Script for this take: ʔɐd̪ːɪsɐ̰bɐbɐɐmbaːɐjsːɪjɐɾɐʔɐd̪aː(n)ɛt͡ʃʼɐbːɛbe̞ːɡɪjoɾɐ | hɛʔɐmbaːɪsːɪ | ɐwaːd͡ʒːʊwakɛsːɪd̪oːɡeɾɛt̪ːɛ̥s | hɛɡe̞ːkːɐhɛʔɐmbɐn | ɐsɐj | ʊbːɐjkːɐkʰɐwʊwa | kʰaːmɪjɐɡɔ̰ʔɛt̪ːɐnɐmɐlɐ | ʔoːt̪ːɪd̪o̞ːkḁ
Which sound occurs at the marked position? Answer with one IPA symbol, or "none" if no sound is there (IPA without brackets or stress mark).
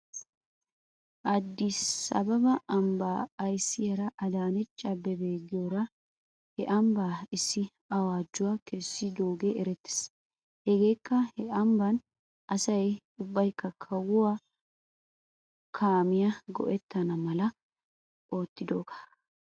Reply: n